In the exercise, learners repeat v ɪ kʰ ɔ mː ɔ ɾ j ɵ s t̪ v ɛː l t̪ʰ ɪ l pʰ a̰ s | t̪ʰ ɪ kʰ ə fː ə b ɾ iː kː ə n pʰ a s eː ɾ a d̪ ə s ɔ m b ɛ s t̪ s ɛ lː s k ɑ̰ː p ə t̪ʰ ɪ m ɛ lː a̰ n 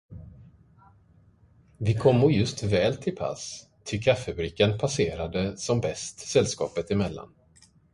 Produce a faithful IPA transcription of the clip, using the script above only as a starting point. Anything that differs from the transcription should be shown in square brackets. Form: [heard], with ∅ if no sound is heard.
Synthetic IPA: v ɪ kʰ ɔ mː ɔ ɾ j ɵ s t̪ v ɛː l t̪ʰ ɪ l pʰ a̰ s | t̪ʰ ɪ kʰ [a] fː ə b ɾ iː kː ə n pʰ a s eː ɾ a d̪ ə s ɔ m b ɛ s t̪ s ɛ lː s k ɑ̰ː p ə [t̪] ɪ m ɛ lː a̰ n